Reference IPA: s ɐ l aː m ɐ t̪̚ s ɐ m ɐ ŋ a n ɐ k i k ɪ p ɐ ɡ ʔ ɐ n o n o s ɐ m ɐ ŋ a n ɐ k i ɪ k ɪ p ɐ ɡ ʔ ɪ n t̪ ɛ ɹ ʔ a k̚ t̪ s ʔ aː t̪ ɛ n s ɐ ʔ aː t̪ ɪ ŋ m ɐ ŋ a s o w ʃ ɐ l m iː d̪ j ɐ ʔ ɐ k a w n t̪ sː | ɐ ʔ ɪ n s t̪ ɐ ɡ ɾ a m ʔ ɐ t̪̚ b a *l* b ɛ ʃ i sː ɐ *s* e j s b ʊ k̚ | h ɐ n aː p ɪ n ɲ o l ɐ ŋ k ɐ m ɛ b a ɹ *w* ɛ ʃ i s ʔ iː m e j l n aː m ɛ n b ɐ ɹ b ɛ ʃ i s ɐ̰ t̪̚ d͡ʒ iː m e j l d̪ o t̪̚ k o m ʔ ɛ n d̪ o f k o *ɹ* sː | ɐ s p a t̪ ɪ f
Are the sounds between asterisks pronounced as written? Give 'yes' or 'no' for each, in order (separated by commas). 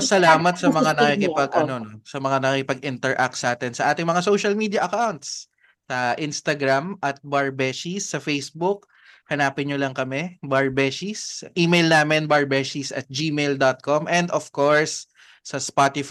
no, no, no, yes